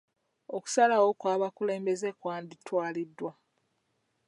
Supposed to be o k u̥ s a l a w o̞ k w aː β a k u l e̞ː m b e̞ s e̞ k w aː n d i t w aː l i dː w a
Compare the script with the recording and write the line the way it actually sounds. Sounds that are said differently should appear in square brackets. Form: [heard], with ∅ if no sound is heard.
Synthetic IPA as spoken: o k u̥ s a l a w o̞ k w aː β a k u l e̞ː m b e̞ [z] e̞ k w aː n d i t w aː l i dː w a

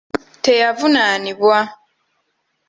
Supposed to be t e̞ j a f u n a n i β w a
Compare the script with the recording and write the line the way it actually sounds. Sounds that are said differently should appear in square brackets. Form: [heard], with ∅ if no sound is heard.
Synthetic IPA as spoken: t e̞ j a [v] u n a n i β w a

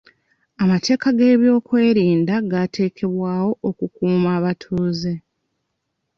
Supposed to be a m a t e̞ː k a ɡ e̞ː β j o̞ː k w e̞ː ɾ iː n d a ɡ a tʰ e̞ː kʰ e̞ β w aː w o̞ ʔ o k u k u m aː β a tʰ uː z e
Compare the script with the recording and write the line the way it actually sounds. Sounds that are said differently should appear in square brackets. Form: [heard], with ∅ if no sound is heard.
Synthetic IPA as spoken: a m a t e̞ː k a ɡ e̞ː β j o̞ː k w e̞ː ɾ iː n d a ɡ a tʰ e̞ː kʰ e̞ β w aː w o̞ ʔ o k u k [uː] m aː β a tʰ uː z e

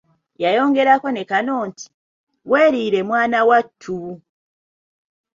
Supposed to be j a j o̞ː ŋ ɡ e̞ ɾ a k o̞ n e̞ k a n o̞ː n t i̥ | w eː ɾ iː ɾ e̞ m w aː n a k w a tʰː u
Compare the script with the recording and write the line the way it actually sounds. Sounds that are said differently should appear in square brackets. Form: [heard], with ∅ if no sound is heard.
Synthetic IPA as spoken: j a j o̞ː ŋ ɡ e̞ ɾ a k o̞ n e̞ k a n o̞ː n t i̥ | w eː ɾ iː ɾ e̞ m w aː n a [∅] w a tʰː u

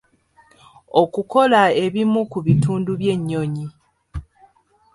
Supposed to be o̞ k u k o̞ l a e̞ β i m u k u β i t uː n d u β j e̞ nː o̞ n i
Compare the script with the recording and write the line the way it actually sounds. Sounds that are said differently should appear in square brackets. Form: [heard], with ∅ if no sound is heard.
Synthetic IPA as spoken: o̞ k u k o̞ l a e̞ β i m u k u β i t uː n d u β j e̞ [ɲː] o̞ [ɲ] i

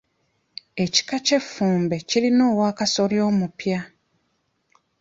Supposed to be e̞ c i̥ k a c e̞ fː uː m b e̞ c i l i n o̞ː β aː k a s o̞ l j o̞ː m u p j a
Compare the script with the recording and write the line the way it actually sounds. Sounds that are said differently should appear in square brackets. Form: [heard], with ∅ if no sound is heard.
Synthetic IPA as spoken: e̞ c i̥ k a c e̞ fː uː m b e̞ c i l i n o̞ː [w] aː k a s o̞ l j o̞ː m u p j a

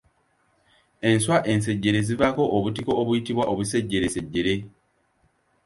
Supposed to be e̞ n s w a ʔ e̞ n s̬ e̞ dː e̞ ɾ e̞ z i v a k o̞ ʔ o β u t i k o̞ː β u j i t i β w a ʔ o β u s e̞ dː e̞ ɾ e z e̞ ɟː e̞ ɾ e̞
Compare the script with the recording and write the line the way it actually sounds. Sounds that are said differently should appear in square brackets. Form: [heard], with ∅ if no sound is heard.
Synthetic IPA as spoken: e̞ n s w a ʔ e̞ n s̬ e̞ [ɟː] e̞ ɾ e̞ z i v a k o̞ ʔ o β u t i k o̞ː β u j i t i β w a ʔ o β u s e̞ [ɟː] e̞ ɾ e [s] e̞ ɟː e̞ ɾ e̞

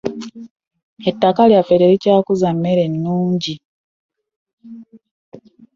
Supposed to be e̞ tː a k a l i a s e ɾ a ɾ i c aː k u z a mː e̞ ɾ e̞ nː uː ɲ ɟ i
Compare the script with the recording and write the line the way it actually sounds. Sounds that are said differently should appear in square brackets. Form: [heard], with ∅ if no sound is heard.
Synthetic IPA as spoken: e̞ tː a k a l [j] a [f] e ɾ [e] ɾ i c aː k u z a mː e̞ ɾ e̞ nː uː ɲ ɟ i

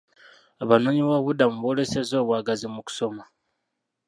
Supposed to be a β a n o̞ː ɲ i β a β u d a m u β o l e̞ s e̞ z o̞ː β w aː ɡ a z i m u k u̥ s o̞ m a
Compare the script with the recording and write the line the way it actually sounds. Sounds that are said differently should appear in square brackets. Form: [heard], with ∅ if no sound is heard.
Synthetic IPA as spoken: a β a n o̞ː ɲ i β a β u d a m u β o l e̞ s e̞ z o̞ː β w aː ɡ a z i m u k u̥ s o̞ m a

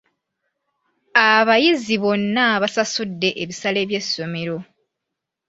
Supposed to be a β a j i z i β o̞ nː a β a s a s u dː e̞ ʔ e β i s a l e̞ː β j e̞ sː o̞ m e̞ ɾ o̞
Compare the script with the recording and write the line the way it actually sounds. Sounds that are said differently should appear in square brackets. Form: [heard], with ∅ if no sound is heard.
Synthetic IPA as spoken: a β a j i z i β o̞ nː a β a s a s u dː e̞ ʔ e β i s a l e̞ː β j e̞ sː o̞ m e̞ ɾ o̞

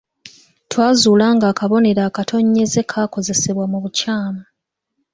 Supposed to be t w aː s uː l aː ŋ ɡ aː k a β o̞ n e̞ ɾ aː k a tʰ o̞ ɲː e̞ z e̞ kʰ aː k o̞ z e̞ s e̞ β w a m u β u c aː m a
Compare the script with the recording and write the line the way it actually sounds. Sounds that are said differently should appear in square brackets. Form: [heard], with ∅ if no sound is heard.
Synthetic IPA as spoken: t w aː [z] uː l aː ŋ ɡ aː k a β o̞ n e̞ ɾ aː k a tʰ o̞ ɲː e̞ z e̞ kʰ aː k o̞ z e̞ s e̞ β w a m u β u c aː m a

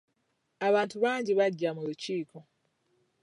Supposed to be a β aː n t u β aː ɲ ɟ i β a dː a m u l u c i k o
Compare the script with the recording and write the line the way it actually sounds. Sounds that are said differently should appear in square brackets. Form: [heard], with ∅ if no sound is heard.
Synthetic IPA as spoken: a β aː n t u β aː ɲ ɟ i β a [ɟː] a m u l u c [iː] k o

